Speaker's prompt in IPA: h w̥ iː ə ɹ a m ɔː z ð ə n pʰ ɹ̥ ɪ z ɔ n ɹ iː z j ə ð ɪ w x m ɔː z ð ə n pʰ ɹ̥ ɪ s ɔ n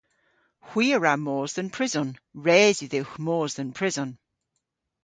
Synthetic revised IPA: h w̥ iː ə ɹ a m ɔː z ð ə n pʰ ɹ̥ ɪ z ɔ n ɹ ɛː z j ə ð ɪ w x m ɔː z ð ə n pʰ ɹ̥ ɪ z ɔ n

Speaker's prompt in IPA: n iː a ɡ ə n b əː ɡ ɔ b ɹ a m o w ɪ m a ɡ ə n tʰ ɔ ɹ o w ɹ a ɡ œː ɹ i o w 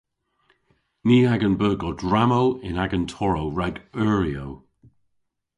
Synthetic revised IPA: n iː a ɡ ə n b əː ɡ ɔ d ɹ a m o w ɪ n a ɡ ə n tʰ ɔ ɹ o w ɹ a ɡ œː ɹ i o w

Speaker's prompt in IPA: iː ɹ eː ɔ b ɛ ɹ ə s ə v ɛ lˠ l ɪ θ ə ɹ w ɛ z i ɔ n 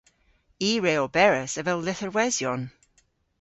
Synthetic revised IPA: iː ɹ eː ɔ b ɛ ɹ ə s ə v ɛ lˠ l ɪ θ ə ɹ w ɛ z j ɔ n

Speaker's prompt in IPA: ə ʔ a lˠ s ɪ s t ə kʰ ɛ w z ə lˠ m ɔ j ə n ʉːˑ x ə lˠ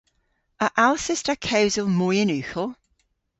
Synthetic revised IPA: ə ʔ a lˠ s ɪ s t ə kʰ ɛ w z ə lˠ m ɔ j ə n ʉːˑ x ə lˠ

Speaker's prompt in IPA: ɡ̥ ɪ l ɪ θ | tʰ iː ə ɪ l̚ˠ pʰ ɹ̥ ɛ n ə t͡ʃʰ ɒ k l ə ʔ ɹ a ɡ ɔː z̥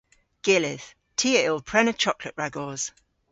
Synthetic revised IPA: ɡ̥ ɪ l ɪ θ | tʰ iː ə ɪ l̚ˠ pʰ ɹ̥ ɛ n ə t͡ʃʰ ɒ k l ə ʔ ɹ a ɡ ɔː z̥

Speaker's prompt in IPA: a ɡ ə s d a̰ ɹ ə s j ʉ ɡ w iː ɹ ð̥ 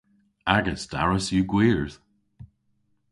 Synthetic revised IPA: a ɡ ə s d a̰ ɹ ə s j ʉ ɡ w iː ɹ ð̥

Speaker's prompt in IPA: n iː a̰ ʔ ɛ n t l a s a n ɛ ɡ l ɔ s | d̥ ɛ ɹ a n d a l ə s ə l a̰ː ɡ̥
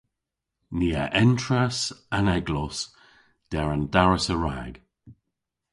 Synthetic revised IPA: n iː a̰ ʔ ɛ n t ɹ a s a n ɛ ɡ l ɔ s | d̥ ɛ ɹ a n d a ɹ ə s ə ɹ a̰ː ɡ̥

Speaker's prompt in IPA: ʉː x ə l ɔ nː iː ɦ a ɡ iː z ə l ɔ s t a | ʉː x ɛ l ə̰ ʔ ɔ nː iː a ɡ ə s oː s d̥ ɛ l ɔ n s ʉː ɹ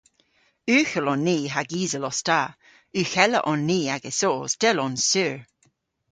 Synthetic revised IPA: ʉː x ə l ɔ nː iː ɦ a ɡ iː z ə l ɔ s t a | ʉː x ɛ l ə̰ ʔ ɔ nː iː a ɡ ə s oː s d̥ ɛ l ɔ n s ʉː ɹ

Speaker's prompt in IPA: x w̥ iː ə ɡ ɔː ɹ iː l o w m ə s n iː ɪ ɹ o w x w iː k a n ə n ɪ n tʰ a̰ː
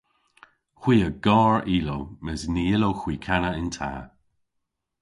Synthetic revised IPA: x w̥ iː ə ɡ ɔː ɹ iː l o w m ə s n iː ɪ l o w x w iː kʰ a n ə ɪ n tʰ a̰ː

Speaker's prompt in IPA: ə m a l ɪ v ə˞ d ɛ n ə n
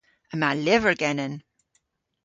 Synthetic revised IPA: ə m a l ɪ v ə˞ ɡ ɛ n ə n

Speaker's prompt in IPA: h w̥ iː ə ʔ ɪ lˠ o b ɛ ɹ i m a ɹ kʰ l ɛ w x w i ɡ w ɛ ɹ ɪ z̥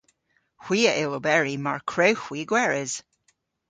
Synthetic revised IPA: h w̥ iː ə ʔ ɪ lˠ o b ɛ ɹ i m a ɹ kʰ ɹ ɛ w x w i ɡ w ɛ ɹ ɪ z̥

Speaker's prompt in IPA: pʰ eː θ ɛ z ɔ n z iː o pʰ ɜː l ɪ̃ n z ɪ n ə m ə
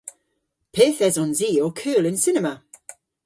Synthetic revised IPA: pʰ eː θ ɛ z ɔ n z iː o kʰ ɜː l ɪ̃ n s ɪ n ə m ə

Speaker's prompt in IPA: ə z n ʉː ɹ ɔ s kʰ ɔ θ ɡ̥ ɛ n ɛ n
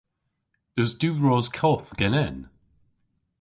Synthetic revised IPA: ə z d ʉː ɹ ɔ z kʰ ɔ θ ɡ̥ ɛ n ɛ n

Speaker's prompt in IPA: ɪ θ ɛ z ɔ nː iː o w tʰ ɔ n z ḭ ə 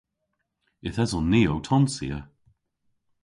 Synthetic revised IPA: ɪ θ ɛ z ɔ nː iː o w tʰ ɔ n s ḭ ə

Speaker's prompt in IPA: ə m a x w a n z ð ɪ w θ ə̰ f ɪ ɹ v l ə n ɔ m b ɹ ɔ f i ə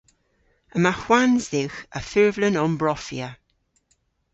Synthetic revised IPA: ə m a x w a n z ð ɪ w x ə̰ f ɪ ɹ v l ə n ɔ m b ɹ ɔ f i ə

